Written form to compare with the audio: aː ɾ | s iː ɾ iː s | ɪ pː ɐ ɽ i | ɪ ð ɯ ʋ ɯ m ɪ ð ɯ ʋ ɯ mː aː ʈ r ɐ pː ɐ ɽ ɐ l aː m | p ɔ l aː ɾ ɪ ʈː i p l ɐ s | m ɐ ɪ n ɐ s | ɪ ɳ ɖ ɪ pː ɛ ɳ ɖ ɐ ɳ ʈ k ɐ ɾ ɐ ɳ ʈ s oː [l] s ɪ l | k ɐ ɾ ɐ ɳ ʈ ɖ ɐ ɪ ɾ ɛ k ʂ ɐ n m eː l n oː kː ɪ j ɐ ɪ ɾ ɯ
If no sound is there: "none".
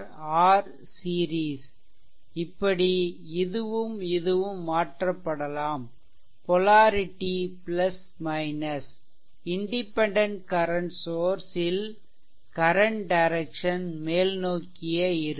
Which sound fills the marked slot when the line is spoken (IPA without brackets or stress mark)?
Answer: ɾ